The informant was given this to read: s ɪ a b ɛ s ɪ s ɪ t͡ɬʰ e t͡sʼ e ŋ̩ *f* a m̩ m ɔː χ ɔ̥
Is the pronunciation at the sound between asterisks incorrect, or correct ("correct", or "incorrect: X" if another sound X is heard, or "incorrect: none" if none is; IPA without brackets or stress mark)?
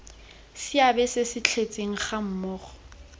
incorrect: χ